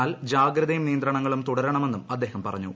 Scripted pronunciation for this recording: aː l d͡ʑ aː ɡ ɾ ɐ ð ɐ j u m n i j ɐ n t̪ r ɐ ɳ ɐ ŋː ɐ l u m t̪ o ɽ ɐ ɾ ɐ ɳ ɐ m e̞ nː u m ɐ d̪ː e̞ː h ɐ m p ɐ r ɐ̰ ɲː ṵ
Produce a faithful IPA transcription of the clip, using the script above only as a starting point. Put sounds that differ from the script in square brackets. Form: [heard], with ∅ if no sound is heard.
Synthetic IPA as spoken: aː l d͡ʑ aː ɡ ɾ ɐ ð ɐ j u m n i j ɐ n [d̪] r ɐ ɳ ɐ ŋː ɐ [ɭ] u m t̪ [u] ɽ ɐ ɾ ɐ ɳ ɐ m e̞ nː u m ɐ d̪ː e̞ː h ɐ m p ɐ r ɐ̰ ɲː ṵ

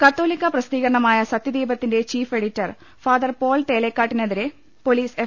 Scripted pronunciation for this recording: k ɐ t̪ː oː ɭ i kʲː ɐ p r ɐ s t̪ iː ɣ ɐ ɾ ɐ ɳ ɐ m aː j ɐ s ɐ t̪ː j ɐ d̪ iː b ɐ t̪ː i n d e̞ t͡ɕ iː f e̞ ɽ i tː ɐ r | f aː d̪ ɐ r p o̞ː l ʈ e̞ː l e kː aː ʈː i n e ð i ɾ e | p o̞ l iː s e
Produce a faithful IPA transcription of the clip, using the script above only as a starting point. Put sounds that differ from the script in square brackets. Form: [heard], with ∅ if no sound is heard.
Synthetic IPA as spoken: k ɐ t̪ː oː [l] i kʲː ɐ p r ɐ s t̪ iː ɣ ɐ ɾ ɐ ɳ ɐ m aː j ɐ s ɐ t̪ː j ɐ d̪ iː b ɐ t̪ː i n d e̞ t͡ɕ iː f e̞ ɽ i tː ɐ r | f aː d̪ ɐ r p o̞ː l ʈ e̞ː l e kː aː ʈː i n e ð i ɾ e | p o̞ l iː s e

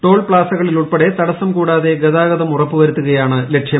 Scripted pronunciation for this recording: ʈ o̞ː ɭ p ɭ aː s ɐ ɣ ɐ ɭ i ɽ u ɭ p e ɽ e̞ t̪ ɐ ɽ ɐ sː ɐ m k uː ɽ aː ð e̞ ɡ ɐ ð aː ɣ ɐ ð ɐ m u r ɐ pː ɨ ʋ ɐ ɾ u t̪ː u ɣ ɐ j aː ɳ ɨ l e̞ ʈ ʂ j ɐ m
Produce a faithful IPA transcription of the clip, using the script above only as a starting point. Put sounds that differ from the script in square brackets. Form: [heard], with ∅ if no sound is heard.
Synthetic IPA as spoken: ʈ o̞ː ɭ p ɭ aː s ɐ ɣ ɐ ɭ i [l] u ɭ p e ɽ e̞ t̪ ɐ ɽ ɐ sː ɐ m k uː ɽ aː ð e̞ ɡ ɐ ð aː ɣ ɐ ð ɐ m u r ɐ pː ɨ ʋ ɐ ɾ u t̪ː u ɣ ɐ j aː ɳ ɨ l e̞ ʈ ʂ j ɐ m

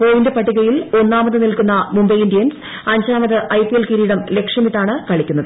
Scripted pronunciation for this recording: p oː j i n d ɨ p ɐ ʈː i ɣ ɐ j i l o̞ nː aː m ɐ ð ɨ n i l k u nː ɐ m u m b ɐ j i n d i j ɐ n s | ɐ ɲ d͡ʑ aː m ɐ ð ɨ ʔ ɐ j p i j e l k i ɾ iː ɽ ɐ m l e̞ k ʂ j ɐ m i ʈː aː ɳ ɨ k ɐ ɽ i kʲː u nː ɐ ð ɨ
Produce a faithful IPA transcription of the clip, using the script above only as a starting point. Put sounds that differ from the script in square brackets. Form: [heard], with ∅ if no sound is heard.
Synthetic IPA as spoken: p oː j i n d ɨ p ɐ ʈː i ɣ ɐ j i l o̞ nː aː m ɐ ð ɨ n i l k u nː ɐ m u m b ɐ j i n d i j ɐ n s | ɐ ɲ d͡ʑ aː m ɐ ð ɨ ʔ ɐ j p i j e l k i ɾ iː ɽ ɐ m l e̞ k ʂ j ɐ m i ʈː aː ɳ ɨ k ɐ [ɭ] i kʲː u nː ɐ ð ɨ

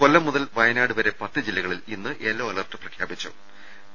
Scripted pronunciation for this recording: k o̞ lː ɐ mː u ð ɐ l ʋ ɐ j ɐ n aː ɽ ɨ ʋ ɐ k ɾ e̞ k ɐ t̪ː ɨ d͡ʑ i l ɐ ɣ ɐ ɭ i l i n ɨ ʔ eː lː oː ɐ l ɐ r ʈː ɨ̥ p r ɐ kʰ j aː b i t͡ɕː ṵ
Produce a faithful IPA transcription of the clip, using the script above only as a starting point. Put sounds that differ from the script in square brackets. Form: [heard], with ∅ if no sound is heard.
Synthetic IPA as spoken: k o̞ lː ɐ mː u ð ɐ l ʋ ɐ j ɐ n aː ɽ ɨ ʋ ɐ [∅] ɾ e̞ [p] ɐ t̪ː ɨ d͡ʑ i [lː] ɐ ɣ ɐ ɭ i l i [nː] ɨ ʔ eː lː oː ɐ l ɐ r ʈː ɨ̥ p r ɐ kʰ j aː b i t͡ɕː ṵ

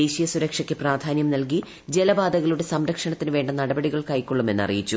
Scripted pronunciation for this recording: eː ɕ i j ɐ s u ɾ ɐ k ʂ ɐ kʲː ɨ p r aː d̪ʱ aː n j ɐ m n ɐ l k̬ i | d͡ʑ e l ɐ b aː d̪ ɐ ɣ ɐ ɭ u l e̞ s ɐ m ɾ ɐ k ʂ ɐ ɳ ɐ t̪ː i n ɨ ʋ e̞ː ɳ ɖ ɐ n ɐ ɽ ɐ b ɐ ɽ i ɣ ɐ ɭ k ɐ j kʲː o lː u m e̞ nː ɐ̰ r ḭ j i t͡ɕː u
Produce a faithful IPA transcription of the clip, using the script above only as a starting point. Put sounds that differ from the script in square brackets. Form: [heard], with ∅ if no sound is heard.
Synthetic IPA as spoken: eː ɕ i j ɐ s u ɾ ɐ k ʂ ɐ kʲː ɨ p r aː d̪ʱ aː n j ɐ m n ɐ l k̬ i | d͡ʑ e l ɐ b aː d̪ ɐ ɣ ɐ ɭ u [ɽ] e̞ s ɐ m ɾ ɐ k ʂ ɐ ɳ ɐ t̪ː i n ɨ ʋ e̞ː ɳ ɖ ɐ n ɐ ɽ ɐ b ɐ ɽ i ɣ ɐ ɭ k ɐ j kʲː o [ɭː] u m e̞ nː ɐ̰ r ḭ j i t͡ɕː u

